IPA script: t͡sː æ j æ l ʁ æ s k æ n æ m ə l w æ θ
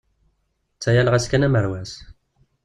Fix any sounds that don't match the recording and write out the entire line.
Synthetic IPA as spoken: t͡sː æ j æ l ʁ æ s k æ n æ m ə ɾ w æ s